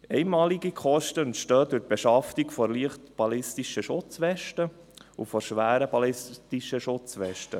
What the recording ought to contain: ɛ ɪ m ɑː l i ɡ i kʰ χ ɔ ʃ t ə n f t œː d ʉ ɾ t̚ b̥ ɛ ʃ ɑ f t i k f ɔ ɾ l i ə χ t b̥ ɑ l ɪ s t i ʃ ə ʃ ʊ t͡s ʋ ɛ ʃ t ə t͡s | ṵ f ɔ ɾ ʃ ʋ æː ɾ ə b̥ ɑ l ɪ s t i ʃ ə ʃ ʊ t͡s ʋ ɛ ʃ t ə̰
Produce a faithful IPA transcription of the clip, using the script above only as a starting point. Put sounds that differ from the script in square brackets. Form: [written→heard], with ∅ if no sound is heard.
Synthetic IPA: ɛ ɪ m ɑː l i ɡ i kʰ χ ɔ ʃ t ə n [f→ʃ] t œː d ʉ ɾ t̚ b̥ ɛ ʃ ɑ f t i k f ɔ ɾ l i ə χ t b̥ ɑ l ɪ s t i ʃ ə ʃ ʊ t͡s ʋ ɛ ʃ t ə [t͡s→∅] | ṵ f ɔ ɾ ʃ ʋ æː ɾ ə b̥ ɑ l ɪ s t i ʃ ə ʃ ʊ t͡s ʋ ɛ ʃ t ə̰